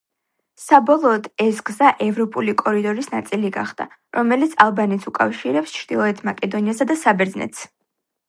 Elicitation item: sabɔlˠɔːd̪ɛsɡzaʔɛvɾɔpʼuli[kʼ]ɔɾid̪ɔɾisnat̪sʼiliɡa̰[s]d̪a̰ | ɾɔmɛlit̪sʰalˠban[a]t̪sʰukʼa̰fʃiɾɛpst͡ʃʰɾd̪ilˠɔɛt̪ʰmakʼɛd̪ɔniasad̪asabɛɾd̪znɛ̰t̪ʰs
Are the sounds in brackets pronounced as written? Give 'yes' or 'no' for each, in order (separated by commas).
yes, no, no